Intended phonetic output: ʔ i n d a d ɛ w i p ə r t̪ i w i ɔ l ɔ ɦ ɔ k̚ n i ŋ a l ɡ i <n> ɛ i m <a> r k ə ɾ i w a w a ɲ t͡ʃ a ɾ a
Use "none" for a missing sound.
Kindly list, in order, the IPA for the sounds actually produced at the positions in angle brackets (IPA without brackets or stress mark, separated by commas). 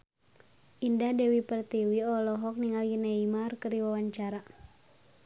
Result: n, a